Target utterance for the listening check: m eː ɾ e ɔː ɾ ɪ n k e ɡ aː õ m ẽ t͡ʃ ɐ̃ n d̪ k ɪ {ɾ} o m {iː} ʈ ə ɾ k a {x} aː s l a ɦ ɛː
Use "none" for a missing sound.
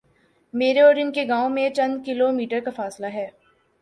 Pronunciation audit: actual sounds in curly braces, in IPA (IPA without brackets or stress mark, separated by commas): l, iː, f